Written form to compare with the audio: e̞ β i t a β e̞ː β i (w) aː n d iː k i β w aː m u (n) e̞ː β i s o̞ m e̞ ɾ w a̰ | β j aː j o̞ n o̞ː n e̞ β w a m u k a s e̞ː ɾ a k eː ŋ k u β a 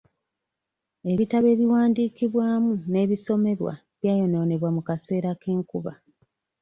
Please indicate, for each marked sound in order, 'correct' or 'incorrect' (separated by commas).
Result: correct, correct